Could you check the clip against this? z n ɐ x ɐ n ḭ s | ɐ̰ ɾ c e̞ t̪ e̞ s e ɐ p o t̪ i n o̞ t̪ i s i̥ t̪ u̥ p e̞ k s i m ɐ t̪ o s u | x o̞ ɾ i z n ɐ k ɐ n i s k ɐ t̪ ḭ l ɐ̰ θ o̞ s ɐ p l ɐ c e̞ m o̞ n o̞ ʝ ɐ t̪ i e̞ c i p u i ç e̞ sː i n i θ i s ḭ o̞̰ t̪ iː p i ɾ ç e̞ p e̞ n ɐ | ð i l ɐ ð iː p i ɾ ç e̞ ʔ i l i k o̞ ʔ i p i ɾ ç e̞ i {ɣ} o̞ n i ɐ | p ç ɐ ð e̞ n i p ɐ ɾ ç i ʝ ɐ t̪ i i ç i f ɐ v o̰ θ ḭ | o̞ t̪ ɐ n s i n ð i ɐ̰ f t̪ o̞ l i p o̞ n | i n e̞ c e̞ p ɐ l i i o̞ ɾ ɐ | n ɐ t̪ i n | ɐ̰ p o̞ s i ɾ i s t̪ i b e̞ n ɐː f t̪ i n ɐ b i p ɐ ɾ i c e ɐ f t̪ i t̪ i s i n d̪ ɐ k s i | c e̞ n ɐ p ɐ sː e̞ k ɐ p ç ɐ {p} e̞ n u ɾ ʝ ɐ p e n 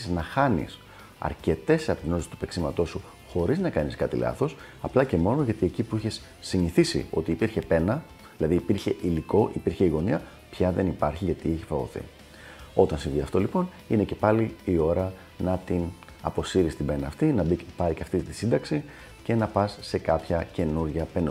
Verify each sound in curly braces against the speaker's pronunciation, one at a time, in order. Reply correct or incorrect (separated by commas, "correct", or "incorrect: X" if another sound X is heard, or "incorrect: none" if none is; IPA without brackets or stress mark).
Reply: correct, incorrect: c